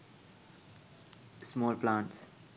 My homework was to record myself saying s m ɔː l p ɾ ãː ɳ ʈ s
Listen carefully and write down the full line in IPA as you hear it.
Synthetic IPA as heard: s m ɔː l p l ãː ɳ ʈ s